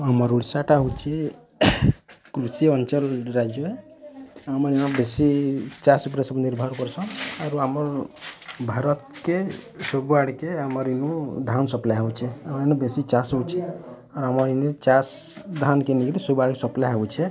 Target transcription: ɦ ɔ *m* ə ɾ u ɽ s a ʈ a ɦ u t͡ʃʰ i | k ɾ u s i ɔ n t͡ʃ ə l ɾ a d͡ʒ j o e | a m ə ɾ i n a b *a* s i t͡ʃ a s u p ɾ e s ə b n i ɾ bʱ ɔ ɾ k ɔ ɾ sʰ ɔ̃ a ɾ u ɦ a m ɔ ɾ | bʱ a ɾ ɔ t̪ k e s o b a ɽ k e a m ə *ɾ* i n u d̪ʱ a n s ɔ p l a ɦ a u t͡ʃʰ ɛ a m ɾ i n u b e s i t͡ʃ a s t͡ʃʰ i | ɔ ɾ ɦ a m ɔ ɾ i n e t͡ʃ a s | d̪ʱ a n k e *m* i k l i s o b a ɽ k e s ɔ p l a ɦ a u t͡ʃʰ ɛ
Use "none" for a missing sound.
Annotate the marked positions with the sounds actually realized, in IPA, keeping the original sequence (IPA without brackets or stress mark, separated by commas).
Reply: m, e, ɾ, n